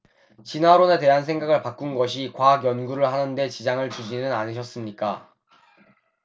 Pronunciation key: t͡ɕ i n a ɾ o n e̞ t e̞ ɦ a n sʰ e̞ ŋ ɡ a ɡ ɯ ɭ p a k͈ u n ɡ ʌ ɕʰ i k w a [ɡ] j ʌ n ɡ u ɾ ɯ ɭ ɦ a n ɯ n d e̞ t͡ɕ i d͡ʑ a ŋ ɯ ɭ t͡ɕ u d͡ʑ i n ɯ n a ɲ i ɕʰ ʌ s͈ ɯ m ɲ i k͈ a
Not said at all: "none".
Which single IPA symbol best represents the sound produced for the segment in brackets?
ɡ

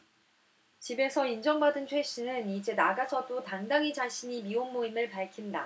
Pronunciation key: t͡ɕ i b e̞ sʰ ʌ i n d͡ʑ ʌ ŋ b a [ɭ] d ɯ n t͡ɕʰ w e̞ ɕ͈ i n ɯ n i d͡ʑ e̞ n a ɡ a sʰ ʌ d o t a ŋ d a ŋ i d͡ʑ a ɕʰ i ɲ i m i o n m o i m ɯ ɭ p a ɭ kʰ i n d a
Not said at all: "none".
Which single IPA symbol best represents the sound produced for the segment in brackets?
none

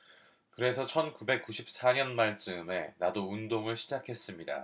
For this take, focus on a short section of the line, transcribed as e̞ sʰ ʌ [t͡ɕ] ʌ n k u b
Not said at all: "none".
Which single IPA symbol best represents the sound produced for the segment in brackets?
t͡ɕʰ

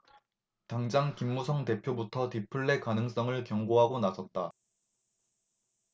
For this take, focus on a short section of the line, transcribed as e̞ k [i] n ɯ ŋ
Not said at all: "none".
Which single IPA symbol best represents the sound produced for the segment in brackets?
a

